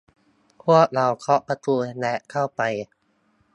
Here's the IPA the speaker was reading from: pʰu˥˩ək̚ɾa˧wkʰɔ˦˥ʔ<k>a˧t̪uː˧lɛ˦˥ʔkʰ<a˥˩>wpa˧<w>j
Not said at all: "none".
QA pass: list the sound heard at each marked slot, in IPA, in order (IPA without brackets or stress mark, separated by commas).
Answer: p, a˥˩, none